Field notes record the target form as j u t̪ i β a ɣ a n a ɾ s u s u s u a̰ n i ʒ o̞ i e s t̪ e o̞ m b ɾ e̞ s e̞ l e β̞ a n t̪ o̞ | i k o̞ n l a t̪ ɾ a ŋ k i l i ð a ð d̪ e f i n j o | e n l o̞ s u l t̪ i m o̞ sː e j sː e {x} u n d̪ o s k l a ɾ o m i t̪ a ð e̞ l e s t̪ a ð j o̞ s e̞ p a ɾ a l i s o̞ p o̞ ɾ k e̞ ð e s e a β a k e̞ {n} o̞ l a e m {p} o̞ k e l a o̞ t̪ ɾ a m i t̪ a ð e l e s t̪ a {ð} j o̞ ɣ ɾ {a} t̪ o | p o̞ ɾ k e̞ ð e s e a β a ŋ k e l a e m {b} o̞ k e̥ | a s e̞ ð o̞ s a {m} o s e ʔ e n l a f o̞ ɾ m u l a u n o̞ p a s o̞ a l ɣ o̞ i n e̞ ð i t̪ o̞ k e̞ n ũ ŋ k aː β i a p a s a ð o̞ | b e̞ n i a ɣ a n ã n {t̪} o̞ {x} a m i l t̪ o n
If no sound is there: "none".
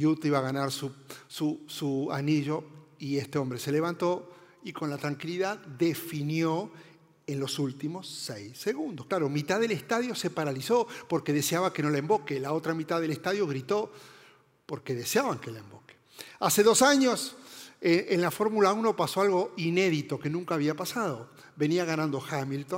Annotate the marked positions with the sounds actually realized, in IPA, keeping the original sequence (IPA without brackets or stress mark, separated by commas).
ɣ, n, b, ð, i, b, ɲ, d̪, x